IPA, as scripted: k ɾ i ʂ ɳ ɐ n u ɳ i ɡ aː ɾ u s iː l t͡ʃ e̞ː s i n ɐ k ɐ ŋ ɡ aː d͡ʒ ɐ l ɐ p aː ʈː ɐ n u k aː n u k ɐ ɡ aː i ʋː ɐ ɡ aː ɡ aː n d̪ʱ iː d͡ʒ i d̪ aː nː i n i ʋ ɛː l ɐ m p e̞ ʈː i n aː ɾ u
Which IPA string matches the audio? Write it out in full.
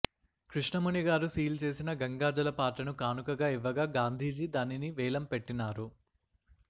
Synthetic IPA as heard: k ɾ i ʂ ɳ ɐ m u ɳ i ɡ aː ɾ u s iː l t͡ʃ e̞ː s i n ɐ ɡ ɐ ŋ ɡ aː d͡ʒ ɐ l ɐ p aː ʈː ɐ n u k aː n u k ɐ ɡ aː i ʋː ɐ ɡ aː ɡ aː n d̪ʱ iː d͡ʒ i d̪ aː n i n i ʋ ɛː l ɐ m p e̞ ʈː i n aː ɾ u